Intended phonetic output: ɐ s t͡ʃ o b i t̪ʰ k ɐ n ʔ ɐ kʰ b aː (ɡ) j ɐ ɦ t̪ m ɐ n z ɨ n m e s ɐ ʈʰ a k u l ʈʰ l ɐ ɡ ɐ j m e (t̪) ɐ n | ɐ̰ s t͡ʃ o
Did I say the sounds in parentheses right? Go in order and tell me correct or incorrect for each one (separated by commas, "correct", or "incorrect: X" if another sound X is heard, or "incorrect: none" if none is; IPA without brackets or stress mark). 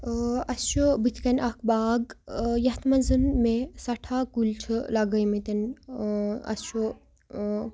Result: correct, correct